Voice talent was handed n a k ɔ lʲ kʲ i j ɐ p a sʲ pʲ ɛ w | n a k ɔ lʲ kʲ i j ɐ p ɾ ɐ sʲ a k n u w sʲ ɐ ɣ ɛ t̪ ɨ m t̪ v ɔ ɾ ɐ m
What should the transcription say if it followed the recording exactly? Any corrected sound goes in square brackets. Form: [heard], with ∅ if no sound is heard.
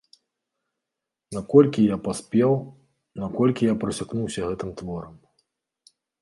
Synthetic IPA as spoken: n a k ɔ lʲ kʲ i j [a] p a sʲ pʲ ɛ w | n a k ɔ lʲ kʲ i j [a] p ɾ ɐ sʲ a k n u w sʲ ɐ ɣ ɛ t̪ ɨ m t̪ v ɔ ɾ ɐ m